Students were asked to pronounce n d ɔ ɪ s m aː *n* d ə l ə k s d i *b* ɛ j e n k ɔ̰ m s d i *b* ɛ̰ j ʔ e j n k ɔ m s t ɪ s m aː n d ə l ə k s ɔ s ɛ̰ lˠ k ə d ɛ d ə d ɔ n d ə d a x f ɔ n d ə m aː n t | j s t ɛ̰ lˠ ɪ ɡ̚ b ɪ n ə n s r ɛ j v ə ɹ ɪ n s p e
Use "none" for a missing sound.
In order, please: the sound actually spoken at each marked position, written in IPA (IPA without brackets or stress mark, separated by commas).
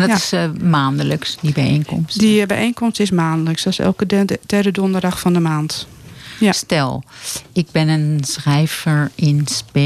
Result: n, b, b